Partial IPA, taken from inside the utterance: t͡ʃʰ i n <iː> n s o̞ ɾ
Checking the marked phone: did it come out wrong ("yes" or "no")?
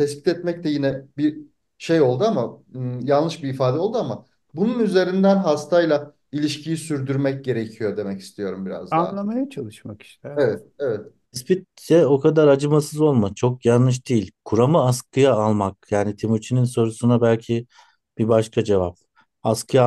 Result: yes